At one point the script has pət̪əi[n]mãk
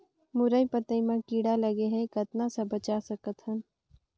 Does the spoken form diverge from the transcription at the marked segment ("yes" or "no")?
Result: yes